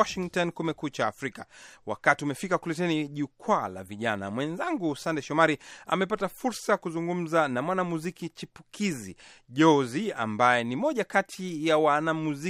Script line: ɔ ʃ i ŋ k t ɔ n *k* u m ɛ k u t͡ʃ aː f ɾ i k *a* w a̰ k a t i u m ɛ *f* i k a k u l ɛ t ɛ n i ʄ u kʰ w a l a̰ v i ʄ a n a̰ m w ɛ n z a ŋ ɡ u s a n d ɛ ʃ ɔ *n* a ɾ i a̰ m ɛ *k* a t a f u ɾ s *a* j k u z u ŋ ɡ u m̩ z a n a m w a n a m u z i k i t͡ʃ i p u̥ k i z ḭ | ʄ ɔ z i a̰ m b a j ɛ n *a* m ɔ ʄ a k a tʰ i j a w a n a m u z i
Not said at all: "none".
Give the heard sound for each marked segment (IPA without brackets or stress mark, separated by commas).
k, a, f, m, p, a, i